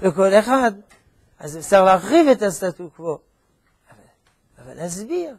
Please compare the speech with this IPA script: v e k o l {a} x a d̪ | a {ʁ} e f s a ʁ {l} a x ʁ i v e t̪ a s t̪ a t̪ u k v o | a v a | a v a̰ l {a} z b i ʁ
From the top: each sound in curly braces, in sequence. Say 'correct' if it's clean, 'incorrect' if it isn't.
incorrect: e, incorrect: z, correct, correct

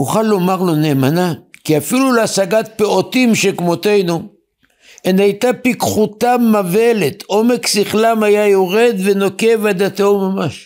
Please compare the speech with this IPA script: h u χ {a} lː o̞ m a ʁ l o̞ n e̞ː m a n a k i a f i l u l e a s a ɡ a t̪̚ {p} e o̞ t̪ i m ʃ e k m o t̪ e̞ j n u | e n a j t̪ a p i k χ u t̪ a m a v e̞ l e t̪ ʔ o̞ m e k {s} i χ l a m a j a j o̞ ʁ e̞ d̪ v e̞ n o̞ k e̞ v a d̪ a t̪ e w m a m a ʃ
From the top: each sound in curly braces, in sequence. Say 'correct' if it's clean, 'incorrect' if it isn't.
correct, correct, correct

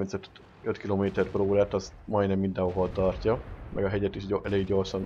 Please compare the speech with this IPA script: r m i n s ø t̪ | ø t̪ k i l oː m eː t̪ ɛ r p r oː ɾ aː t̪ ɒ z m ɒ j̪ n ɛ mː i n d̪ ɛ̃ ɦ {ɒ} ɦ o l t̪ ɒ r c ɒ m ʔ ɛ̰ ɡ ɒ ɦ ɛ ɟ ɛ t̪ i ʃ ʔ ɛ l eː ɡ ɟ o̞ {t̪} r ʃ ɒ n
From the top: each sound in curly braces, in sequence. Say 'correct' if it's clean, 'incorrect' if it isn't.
incorrect: o, incorrect: none

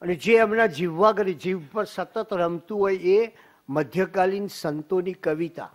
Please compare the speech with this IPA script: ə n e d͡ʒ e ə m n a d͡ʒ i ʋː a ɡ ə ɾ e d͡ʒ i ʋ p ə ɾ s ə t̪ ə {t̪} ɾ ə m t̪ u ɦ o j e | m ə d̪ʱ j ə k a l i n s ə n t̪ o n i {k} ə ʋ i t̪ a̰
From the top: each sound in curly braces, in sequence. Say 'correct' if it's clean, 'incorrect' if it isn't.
correct, correct

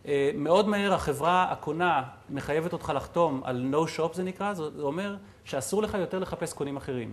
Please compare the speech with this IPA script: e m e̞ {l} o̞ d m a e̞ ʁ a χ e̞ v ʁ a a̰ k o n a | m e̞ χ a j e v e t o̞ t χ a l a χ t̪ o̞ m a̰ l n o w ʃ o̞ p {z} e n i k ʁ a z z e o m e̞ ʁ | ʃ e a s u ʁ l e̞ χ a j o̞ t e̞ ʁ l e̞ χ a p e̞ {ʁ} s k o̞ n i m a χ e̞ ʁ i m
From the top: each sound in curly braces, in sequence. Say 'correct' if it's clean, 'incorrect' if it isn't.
incorrect: none, correct, incorrect: none

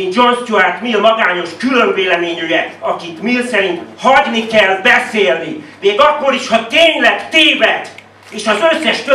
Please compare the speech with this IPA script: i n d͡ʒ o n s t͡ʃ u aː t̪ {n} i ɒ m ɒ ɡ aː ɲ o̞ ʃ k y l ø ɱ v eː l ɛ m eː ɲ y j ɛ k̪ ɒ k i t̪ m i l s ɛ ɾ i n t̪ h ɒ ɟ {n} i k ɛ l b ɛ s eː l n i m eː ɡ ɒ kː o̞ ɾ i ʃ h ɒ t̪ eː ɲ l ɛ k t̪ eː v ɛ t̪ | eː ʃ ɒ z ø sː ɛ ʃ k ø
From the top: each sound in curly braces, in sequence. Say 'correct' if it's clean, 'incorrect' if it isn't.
incorrect: m, correct

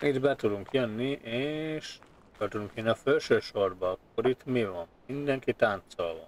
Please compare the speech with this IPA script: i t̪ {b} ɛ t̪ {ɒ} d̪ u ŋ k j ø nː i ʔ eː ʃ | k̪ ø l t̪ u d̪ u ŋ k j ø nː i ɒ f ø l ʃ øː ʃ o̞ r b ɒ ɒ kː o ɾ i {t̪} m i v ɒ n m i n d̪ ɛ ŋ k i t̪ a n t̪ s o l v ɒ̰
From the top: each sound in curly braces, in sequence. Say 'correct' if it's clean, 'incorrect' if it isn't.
correct, incorrect: u, correct

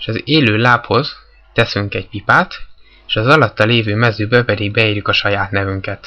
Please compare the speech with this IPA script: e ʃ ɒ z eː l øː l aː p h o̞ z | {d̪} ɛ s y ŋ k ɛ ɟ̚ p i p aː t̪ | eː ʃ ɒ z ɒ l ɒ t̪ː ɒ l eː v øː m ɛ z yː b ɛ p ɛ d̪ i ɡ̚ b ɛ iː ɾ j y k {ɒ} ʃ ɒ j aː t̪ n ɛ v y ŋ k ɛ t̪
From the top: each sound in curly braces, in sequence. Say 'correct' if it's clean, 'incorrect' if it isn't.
incorrect: t̪, correct

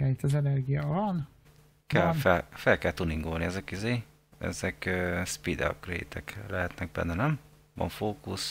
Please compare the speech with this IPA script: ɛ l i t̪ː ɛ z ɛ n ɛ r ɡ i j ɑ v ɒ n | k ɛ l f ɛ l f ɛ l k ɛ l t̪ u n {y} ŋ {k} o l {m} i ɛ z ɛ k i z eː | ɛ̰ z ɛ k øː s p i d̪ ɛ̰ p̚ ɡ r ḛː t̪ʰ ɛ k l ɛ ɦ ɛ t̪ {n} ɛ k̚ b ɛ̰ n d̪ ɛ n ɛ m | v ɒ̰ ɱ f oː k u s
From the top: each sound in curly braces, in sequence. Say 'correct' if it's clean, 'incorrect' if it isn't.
incorrect: i, incorrect: ɡ, incorrect: n, correct

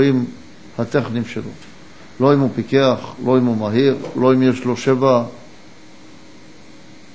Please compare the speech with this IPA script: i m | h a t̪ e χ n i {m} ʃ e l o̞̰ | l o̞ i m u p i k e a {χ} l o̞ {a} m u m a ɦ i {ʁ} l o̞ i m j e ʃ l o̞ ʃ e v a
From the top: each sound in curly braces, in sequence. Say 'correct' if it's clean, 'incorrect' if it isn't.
correct, correct, incorrect: i, correct

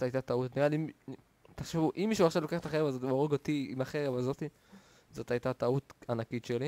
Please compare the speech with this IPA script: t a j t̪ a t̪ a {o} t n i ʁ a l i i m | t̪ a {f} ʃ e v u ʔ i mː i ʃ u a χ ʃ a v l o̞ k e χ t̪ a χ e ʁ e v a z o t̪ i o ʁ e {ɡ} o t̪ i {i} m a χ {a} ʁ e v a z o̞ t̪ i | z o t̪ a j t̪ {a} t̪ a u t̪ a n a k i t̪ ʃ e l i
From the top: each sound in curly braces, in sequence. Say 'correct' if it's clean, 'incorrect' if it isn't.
incorrect: u, incorrect: χ, correct, correct, incorrect: e, correct

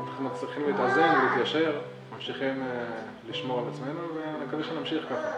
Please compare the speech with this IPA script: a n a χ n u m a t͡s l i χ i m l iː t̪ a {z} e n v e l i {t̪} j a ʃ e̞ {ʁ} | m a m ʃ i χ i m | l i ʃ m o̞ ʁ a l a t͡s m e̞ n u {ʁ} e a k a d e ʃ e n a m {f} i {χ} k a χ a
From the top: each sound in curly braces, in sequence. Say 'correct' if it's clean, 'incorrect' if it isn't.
correct, correct, correct, incorrect: v, incorrect: ʃ, correct

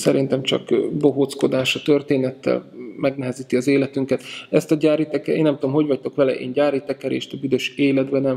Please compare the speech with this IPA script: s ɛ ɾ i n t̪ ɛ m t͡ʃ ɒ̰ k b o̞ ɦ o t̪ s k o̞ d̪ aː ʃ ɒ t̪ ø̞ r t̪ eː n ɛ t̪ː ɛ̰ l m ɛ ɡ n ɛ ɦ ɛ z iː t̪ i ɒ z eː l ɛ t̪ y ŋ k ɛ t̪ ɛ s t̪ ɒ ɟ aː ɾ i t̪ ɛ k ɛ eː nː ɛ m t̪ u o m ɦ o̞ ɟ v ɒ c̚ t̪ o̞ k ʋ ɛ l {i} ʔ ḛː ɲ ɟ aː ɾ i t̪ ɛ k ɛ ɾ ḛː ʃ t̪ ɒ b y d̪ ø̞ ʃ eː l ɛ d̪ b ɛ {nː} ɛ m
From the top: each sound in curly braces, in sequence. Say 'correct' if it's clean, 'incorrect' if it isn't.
incorrect: ɛ, incorrect: n

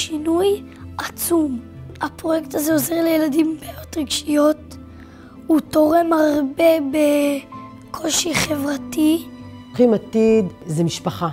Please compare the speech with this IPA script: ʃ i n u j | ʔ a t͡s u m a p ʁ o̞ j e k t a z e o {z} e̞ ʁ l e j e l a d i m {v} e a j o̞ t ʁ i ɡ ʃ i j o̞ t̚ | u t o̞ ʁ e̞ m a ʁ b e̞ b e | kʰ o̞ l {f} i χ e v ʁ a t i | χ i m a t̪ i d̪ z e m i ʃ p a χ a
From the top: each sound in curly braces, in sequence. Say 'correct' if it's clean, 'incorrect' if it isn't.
correct, incorrect: b, incorrect: ʃ

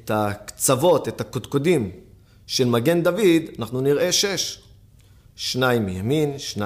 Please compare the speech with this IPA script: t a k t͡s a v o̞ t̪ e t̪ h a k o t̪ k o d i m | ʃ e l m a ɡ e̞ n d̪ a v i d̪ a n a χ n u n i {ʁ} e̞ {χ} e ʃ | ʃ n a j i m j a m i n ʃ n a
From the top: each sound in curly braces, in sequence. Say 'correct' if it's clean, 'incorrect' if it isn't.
correct, incorrect: ʃ

